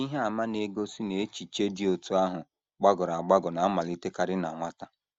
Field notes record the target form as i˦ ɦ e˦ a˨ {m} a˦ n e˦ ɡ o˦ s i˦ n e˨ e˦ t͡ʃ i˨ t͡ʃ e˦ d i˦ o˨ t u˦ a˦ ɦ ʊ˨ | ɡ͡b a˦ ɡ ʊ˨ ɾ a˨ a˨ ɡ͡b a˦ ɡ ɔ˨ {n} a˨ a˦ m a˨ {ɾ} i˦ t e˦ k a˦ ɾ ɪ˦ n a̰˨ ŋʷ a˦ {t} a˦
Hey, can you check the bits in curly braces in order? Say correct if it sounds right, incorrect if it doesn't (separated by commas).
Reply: correct, correct, incorrect, correct